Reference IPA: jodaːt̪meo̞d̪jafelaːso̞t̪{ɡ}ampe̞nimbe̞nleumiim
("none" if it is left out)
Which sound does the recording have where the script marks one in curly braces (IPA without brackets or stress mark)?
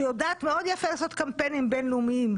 k